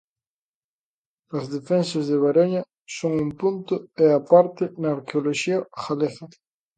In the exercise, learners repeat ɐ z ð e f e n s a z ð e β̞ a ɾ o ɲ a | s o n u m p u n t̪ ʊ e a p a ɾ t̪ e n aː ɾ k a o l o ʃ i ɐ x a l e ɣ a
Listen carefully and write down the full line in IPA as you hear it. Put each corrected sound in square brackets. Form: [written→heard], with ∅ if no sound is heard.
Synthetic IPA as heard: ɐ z ð e f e n s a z ð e β̞ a ɾ o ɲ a | s o [n→ŋ] u m p u n t̪ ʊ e a p a ɾ t̪ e n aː ɾ k [a→e] o l o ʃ i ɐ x a l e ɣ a

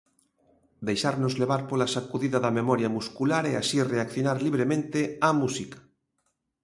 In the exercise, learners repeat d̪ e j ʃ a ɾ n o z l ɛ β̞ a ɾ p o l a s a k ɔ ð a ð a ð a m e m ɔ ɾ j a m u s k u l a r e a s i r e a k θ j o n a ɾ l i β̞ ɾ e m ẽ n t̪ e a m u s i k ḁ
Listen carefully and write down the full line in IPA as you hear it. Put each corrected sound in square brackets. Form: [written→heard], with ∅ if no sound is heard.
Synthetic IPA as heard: d̪ e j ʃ a ɾ n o z l [ɛ→e] β̞ a ɾ p o l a s a k [ɔ→u] ð [a→i] ð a ð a m e m ɔ ɾ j a m u s k u l a [r→ɾ] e a s i r e a k θ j o n a ɾ l i β̞ ɾ e m ẽ n t̪ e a m u s i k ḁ

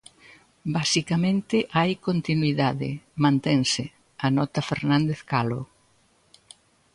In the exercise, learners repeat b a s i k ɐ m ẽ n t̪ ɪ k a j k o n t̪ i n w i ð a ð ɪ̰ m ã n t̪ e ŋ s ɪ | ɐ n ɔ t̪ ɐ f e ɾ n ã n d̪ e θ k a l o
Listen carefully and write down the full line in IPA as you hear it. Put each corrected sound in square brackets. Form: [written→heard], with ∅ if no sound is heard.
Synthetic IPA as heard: b a s i k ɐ m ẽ n t̪ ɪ [k→ʔ] a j k o n t̪ i n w i ð a ð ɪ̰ m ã n t̪ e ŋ s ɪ | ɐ n ɔ t̪ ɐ f e ɾ n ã n d̪ e θ k a l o

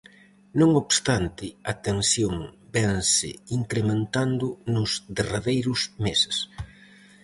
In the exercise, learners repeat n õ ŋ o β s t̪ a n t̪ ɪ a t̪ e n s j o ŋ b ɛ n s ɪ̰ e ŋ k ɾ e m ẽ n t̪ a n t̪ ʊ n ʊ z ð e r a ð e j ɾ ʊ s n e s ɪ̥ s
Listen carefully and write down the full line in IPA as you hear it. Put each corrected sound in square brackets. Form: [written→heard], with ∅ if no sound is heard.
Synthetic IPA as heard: n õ ŋ o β s t̪ a n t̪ ɪ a t̪ e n s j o ŋ b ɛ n s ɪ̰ [e→i] ŋ k ɾ e m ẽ n t̪ a n [t̪→d̪] ʊ n ʊ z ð e r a ð e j ɾ ʊ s [n→m] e s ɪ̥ s

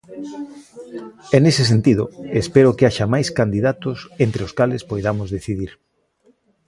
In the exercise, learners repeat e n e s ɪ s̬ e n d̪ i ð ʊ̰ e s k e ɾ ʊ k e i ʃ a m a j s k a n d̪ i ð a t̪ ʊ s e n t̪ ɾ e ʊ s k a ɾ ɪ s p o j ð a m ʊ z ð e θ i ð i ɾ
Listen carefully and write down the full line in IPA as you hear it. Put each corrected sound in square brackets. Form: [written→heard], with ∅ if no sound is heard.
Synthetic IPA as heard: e n e s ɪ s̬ e n [d̪→t̪] i ð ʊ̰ e s [k→p] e ɾ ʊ k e [i→a] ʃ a m a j s k a n d̪ i ð a t̪ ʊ s e n t̪ ɾ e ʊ s k a [ɾ→l] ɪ s p o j ð a m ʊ z ð e θ i ð i ɾ

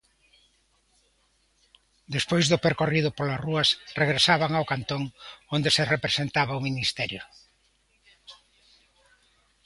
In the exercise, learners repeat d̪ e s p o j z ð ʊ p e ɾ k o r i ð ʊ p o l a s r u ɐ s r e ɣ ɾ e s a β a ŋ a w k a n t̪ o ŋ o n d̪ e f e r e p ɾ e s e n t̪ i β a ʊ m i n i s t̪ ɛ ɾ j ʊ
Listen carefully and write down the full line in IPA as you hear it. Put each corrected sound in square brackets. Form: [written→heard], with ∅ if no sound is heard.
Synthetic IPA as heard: d̪ e s p o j z ð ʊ p e ɾ k o r i ð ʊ p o l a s r u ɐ s r e ɣ ɾ e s a β a ŋ a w k a n t̪ o ŋ o n d̪ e [f→s] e r e p ɾ e s e n t̪ [i→a] β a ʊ m i n i s t̪ ɛ ɾ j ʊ

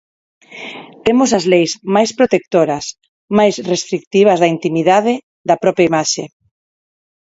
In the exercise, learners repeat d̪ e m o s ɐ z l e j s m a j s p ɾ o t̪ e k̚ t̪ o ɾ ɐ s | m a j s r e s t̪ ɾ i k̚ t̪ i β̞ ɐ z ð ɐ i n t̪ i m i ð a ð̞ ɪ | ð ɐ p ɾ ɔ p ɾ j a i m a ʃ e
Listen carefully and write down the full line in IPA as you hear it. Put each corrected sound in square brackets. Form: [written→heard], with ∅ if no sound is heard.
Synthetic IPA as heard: [d̪→t̪] e m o s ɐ z l e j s m a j s p ɾ o t̪ e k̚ t̪ o ɾ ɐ s | m a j s r e s t̪ ɾ i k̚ t̪ i β̞ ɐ z ð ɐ i n t̪ i m i ð a ð̞ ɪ | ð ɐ p ɾ ɔ p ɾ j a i m a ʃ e

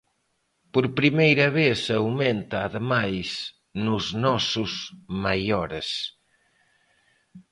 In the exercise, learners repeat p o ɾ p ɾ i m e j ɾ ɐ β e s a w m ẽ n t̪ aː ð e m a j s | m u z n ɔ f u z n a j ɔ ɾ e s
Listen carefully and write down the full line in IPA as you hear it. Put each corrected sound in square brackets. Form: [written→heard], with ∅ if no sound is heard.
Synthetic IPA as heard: p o ɾ p ɾ i m e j ɾ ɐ β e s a w m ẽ n t̪ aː ð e m a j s | [m→n] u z n ɔ [f→s] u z [n→m] a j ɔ ɾ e s

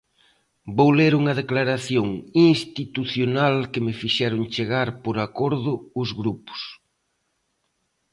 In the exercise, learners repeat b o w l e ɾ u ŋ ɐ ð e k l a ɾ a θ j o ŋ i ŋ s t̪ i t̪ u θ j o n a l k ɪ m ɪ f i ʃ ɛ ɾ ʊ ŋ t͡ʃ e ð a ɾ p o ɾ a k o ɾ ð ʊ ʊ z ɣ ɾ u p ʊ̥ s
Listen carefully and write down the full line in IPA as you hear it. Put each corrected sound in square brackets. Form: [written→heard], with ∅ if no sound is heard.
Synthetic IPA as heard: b o w l e ɾ u ŋ ɐ ð e k l a ɾ a θ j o ŋ i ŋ s t̪ i t̪ u θ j o n a l k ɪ m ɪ f i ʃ ɛ ɾ ʊ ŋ t͡ʃ e [ð→ɣ] a ɾ p o ɾ a k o ɾ ð ʊ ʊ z ɣ ɾ u p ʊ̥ s

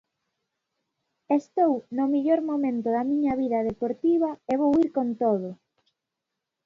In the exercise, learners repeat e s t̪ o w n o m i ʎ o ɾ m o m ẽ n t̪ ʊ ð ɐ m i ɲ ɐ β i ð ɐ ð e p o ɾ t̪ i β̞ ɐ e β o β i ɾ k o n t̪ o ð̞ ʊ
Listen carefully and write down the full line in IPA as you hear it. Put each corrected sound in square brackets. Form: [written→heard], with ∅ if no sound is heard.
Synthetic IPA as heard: e s t̪ o w n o m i ʎ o ɾ m o m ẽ n t̪ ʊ ð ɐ m i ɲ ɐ β i ð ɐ ð e p o ɾ t̪ i β̞ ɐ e β o [β→w] i ɾ k o n t̪ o ð̞ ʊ

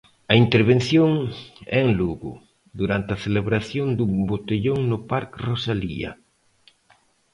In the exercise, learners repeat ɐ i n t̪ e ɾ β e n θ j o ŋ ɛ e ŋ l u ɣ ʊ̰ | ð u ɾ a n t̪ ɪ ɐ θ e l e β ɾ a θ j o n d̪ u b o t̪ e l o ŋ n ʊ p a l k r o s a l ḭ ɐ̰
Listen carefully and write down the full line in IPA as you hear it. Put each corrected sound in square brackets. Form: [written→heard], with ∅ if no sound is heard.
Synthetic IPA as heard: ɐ i n t̪ e ɾ β e n θ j o ŋ ɛ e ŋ l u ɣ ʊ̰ | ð u ɾ a n t̪ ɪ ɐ θ e l e β ɾ a θ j o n d̪ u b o t̪ e [l→ʎ] o ŋ n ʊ p a [l→ɾ] k r o s a l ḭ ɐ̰

